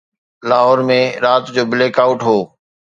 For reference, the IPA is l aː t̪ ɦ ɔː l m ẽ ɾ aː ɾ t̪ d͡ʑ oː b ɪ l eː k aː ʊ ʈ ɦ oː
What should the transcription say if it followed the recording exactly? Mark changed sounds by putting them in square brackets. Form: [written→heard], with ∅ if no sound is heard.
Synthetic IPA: l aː [t̪→∅] ɦ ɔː [l→ɾ] m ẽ ɾ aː [ɾ→∅] t̪ d͡ʑ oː b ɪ l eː k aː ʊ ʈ ɦ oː

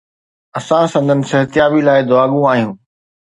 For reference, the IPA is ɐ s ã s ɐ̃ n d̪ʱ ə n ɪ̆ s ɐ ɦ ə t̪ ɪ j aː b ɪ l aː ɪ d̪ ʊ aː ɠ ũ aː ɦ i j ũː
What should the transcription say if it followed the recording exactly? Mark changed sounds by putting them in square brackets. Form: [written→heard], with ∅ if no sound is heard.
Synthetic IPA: ɐ s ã s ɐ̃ n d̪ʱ ə n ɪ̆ s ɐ ɦ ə t̪ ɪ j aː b [ɪ→i] l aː ɪ d̪ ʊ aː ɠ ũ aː ɦ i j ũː

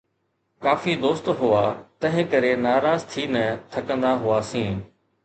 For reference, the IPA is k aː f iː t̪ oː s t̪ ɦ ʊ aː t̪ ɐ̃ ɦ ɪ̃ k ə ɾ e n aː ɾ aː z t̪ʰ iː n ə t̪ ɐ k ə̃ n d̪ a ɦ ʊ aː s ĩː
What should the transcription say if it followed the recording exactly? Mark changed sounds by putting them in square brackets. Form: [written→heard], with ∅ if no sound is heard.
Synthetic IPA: k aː f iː [t̪→d̪] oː s t̪ ɦ ʊ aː t̪ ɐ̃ ɦ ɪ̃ k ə ɾ e n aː ɾ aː z t̪ʰ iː n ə [t̪→t̪ʰ] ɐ k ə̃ n d̪ a ɦ ʊ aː s ĩː

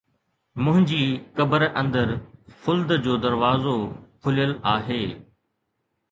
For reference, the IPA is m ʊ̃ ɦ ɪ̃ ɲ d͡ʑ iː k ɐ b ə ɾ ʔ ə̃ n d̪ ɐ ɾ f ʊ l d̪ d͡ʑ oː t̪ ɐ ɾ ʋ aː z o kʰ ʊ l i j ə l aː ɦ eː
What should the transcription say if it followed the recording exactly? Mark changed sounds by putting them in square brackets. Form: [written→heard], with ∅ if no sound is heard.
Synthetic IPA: m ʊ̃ ɦ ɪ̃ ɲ d͡ʑ iː k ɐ b ə ɾ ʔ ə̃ n d̪ [ɐ→ə] ɾ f ʊ l d̪ d͡ʑ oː [t̪→d̪] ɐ ɾ ʋ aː z o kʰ ʊ l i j ə l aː ɦ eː

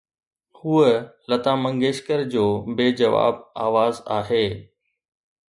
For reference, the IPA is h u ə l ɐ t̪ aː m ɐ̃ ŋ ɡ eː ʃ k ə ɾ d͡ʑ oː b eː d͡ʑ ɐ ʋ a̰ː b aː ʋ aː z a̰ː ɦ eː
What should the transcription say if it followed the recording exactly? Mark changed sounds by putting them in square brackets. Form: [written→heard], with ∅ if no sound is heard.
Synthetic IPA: h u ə l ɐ t̪ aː m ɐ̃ ŋ ɡ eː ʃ k ə ɾ d͡ʑ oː b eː d͡ʑ ɐ ʋ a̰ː b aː ʋ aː z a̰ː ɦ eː

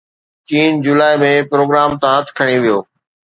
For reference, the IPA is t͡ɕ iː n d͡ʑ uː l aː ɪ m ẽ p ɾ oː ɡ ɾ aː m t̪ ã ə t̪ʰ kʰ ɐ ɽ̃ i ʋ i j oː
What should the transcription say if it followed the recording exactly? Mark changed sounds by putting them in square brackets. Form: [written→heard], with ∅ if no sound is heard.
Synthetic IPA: t͡ɕ iː n d͡ʑ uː l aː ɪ m ẽ p ɾ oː ɡ ɾ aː m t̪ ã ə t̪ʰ kʰ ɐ ɽ̃ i ʋ i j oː

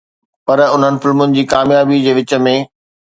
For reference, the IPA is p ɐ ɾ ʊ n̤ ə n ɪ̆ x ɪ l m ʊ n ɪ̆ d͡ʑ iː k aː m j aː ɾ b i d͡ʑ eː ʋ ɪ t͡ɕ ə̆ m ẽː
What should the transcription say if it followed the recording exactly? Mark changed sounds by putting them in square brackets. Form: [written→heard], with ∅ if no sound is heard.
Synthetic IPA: p ɐ ɾ ʊ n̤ ə n ɪ̆ [x→f] ɪ l m ʊ n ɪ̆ d͡ʑ iː k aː m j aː [ɾ→∅] b i d͡ʑ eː ʋ ɪ t͡ɕ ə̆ m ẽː

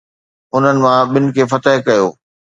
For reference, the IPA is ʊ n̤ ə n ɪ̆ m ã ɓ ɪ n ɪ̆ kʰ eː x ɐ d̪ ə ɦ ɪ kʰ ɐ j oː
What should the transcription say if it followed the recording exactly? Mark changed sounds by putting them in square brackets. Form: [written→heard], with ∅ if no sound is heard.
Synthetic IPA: ʊ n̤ ə n ɪ̆ m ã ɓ ɪ n ɪ̆ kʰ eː [x→f] ɐ [d̪→t̪] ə ɦ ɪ [kʰ→k] ɐ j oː

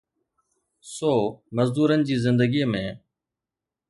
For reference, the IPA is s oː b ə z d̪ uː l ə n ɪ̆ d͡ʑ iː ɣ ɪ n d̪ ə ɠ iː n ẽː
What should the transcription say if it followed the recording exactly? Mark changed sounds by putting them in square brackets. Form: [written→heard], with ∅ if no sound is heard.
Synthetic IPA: s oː [b→m] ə z d̪ uː [l→ɾ] ə n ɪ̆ d͡ʑ iː [ɣ→z] ɪ n d̪ ə [ɠ→ɡ] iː [n→m] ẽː

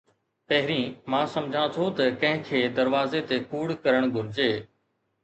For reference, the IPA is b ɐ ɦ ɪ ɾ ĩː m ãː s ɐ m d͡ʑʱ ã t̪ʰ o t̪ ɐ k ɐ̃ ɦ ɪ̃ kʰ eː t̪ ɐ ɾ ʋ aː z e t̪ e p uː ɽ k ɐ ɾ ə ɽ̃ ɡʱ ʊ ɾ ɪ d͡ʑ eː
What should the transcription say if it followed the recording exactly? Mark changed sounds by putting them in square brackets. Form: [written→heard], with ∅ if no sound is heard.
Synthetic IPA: [b→p] ɐ ɦ ɪ ɾ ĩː m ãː s ɐ m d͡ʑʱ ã t̪ʰ o t̪ ɐ k ɐ̃ ɦ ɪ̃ kʰ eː [t̪→d̪] ɐ ɾ ʋ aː z e t̪ e [p→k] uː ɽ k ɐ ɾ ə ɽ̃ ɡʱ ʊ ɾ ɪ d͡ʑ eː

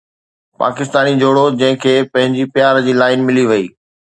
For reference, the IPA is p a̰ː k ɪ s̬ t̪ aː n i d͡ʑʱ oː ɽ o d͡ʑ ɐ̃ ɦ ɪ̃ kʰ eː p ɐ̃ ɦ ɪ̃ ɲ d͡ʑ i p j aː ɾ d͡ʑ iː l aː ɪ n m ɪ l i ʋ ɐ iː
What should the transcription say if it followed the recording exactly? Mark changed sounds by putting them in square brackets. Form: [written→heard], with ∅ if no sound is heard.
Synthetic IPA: p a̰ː k ɪ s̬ t̪ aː n i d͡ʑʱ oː ɽ o d͡ʑ ɐ̃ ɦ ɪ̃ kʰ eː p ɐ̃ ɦ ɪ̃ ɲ d͡ʑ i p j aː ɾ d͡ʑ iː l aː ɪ n m ɪ l i ʋ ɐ iː

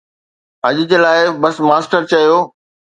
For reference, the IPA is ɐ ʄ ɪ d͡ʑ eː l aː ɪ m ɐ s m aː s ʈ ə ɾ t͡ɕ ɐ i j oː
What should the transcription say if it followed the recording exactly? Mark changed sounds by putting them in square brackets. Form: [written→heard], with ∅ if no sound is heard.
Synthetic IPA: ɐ ʄ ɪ d͡ʑ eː l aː ɪ [m→b] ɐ s m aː s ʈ ə ɾ t͡ɕ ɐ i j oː

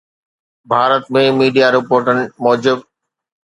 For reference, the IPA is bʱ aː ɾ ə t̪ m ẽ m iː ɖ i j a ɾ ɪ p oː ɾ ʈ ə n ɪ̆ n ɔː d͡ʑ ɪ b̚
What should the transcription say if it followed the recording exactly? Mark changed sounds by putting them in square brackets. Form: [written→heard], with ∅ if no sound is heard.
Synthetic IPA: bʱ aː ɾ ə t̪ m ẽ m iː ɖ i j a ɾ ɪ p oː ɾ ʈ ə n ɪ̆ [n→m] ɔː d͡ʑ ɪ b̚

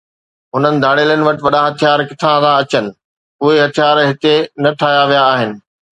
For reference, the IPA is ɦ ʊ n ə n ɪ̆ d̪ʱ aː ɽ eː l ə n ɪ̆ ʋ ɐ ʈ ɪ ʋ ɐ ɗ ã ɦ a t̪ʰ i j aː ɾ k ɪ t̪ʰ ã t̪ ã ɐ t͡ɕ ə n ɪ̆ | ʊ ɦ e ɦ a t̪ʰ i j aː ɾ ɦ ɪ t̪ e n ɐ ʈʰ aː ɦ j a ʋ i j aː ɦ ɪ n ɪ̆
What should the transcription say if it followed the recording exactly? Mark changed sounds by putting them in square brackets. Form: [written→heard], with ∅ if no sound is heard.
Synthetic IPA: ɦ ʊ n ə n ɪ̆ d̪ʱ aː ɽ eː l ə n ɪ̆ ʋ ɐ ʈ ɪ ʋ ɐ ɗ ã ɦ [a→ɐ] t̪ʰ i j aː ɾ k ɪ t̪ʰ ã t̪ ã ɐ t͡ɕ ə n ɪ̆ | ʊ ɦ e ɦ [a→ɐ] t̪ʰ i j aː ɾ ɦ ɪ t̪ e n ɐ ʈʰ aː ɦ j a ʋ i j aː ɦ ɪ n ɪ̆

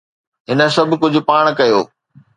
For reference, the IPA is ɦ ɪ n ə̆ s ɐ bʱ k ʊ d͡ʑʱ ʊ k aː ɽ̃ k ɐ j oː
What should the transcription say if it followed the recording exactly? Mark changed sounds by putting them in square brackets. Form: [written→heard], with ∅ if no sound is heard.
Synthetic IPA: ɦ ɪ n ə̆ s ɐ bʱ k ʊ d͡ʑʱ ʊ [k→p] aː ɽ̃ k ɐ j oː

